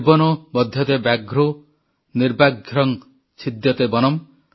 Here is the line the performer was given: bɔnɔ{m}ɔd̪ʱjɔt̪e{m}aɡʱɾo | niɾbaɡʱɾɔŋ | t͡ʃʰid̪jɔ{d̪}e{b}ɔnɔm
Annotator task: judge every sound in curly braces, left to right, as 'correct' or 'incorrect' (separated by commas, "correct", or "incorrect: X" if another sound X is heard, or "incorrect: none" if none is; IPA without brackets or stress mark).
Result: incorrect: b, incorrect: b, incorrect: t̪, correct